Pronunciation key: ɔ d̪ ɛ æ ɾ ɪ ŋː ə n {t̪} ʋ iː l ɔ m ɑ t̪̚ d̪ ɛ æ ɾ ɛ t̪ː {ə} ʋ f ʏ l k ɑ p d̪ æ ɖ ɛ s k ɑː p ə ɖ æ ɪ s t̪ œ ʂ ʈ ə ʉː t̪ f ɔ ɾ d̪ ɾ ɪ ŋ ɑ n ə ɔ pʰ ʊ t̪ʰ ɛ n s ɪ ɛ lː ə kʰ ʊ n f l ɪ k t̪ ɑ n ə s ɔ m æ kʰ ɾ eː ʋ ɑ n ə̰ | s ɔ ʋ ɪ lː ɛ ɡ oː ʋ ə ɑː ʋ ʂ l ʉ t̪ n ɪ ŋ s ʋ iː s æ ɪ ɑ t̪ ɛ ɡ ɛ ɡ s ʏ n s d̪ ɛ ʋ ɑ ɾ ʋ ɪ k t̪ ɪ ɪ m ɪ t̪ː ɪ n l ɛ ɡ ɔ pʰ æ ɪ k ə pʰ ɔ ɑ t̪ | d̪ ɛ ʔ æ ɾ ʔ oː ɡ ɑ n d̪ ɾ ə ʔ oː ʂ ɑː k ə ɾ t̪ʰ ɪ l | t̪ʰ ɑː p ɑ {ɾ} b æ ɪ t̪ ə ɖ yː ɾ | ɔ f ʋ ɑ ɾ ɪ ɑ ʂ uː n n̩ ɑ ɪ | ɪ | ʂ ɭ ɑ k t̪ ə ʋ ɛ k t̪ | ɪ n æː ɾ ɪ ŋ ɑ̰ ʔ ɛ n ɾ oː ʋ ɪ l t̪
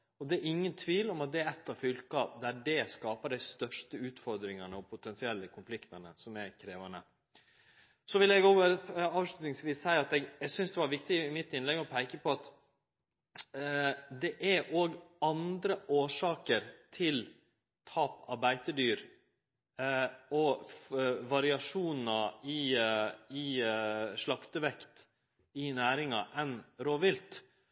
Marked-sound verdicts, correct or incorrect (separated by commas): incorrect, incorrect, correct